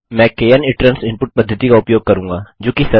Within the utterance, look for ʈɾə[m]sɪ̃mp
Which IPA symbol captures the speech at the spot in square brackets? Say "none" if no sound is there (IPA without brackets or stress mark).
n